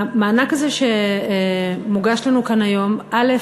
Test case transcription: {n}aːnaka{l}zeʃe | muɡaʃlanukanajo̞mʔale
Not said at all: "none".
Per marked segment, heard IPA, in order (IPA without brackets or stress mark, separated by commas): m, none